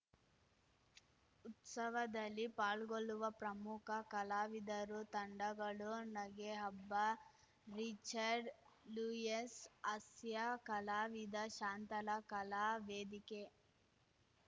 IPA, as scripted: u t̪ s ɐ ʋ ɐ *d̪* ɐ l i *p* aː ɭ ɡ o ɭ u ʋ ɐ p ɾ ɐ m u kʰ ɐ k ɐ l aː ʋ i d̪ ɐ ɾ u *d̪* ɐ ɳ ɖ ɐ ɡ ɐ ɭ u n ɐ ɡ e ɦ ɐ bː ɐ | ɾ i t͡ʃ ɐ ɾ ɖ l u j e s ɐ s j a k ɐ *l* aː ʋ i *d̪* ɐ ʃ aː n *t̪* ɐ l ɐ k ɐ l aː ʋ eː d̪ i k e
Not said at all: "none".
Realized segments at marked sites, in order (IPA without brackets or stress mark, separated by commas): d̪, p, t̪, l, d̪, t̪